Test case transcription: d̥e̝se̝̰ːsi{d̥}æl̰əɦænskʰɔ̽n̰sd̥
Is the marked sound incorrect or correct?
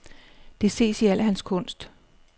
incorrect